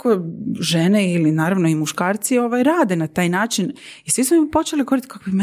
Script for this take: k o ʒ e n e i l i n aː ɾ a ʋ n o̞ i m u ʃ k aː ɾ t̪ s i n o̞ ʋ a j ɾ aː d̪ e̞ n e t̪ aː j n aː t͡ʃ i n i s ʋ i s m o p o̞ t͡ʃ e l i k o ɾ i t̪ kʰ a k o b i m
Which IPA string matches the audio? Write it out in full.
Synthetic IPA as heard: k o ʒ e n e i l i n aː ɾ a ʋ n o̞ i m u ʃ k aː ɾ t̪ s i o̞ ʋ a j ɾ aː d̪ e̞ n a t̪ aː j n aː t͡ʃ i n i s ʋ i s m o p o̞ t͡ʃ e l i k o ɾ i t̪ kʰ a k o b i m